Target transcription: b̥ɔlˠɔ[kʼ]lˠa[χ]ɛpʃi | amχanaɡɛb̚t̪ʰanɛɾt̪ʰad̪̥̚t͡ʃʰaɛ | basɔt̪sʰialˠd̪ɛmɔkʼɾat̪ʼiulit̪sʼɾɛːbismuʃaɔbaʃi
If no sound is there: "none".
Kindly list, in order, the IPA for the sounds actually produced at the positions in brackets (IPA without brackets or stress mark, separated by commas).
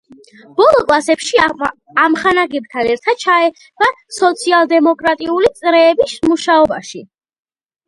kʼ, s